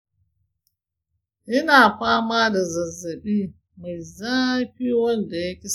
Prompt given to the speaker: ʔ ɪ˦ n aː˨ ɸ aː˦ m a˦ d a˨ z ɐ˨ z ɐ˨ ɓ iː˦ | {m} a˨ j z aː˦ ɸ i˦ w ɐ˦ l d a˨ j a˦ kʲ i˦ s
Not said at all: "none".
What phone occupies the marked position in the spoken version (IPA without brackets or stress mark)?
m